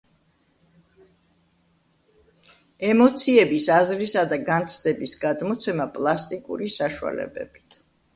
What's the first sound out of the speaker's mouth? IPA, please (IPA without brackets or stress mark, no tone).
ɛ